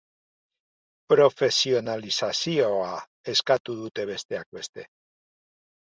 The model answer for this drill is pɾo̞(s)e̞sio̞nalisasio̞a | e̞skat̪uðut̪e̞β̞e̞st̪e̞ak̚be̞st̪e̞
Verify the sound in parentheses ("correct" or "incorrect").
incorrect